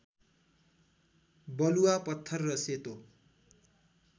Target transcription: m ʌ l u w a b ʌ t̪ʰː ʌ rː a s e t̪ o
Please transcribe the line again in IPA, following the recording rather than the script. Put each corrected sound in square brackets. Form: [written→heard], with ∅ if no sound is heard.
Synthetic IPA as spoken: [m→b] ʌ l u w a [b→p] ʌ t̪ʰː ʌ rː [a→ʌ] s e t̪ o